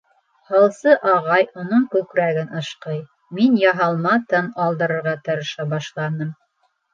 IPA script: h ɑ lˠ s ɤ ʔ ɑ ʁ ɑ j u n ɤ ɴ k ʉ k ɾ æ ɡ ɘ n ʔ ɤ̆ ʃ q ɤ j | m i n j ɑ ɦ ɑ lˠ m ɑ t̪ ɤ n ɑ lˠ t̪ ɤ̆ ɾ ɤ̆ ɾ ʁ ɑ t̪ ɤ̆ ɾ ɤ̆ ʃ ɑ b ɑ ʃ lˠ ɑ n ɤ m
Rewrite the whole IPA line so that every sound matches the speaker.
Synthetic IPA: h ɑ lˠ s ɤ ʔ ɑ ʁ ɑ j u n ɤ ɴ k ʉ k ɾ æ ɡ ɘ n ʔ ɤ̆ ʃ q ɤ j | m i n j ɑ ɦ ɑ lˠ m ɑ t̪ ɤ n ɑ lˠ d̪ ɤ̆ ɾ ɤ̆ ɾ ʁ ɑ t̪ ɤ̆ ɾ ɤ̆ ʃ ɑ b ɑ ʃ lˠ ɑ n ɤ m